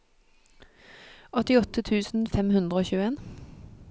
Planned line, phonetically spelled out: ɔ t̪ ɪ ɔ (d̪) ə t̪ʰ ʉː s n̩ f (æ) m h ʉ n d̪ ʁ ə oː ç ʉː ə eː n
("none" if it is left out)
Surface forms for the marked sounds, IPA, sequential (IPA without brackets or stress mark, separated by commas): t̪, ɛ